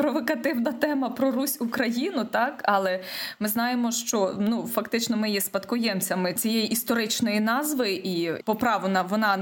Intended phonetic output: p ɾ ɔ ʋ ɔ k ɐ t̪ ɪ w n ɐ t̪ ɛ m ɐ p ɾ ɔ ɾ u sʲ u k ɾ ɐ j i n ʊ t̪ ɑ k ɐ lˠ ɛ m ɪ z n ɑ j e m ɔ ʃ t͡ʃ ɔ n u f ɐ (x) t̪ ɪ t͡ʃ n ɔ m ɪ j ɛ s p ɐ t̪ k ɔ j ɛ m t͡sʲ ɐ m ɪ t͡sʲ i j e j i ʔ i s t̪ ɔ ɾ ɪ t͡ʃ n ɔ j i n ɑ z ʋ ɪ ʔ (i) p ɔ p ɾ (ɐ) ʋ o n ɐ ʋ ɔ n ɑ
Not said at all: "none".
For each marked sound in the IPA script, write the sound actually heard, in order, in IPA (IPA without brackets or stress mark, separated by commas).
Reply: k, i, ɑ